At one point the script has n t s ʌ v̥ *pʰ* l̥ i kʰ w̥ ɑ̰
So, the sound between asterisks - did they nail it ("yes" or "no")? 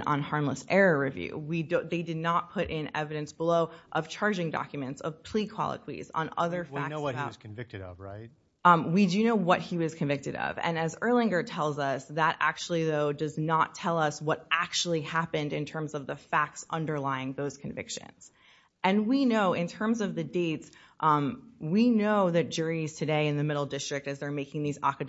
yes